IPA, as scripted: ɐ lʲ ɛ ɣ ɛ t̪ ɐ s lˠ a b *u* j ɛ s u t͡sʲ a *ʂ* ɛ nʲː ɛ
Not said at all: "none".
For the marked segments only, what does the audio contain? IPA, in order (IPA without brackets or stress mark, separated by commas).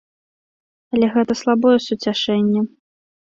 ɔ, ʂ